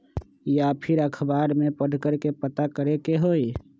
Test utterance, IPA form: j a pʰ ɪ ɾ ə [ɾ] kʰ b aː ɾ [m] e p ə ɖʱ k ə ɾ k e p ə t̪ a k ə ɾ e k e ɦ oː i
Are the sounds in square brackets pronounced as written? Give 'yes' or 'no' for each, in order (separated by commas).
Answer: no, yes